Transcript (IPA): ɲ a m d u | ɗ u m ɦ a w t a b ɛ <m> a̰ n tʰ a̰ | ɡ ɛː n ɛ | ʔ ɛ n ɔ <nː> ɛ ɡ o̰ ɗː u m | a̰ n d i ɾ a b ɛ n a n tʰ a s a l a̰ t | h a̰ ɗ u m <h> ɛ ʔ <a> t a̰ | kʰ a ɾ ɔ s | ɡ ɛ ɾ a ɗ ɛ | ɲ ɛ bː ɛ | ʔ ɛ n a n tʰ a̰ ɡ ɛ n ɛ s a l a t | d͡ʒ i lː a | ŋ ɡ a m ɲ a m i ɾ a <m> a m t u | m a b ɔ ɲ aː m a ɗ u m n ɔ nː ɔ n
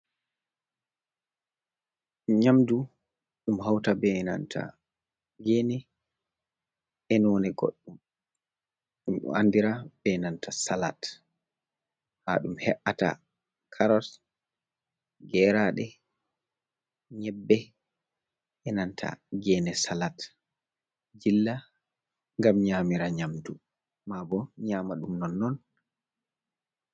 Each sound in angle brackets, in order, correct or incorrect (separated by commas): incorrect, incorrect, correct, correct, incorrect